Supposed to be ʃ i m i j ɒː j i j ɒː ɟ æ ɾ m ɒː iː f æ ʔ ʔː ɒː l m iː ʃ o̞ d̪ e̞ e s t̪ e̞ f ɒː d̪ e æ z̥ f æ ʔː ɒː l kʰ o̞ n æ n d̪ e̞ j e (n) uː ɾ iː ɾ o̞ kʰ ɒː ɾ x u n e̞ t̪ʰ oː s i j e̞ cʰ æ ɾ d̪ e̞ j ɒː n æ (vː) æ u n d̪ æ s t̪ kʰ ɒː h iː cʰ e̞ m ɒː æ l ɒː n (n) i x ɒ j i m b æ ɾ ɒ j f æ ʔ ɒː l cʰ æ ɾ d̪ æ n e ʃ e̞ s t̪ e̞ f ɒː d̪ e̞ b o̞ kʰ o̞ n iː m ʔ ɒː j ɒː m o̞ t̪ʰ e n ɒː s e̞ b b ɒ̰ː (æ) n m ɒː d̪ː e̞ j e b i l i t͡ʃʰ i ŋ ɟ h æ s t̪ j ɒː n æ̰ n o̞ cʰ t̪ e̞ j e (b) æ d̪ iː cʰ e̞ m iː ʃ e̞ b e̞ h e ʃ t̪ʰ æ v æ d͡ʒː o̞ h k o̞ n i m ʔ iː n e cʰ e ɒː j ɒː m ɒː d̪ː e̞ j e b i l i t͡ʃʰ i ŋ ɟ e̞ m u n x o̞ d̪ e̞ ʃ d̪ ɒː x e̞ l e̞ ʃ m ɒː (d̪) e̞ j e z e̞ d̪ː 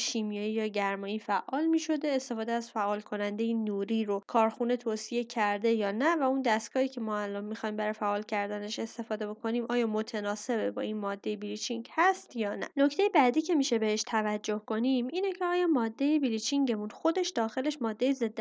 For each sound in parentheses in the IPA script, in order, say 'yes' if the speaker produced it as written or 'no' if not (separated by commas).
yes, no, no, no, yes, no